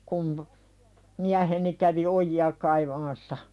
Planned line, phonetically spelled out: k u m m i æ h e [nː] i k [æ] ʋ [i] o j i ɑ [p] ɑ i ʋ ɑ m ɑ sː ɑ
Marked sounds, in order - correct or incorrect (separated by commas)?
incorrect, correct, correct, incorrect